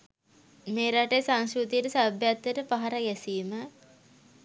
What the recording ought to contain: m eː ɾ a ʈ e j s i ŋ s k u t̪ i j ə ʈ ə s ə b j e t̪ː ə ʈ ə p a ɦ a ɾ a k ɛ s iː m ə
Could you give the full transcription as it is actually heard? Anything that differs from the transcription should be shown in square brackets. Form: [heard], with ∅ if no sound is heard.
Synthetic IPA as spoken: m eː ɾ a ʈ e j s [a] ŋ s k u t̪ i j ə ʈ ə s [a] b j [a] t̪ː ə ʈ ə p a ɦ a ɾ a [ɡ] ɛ s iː m ə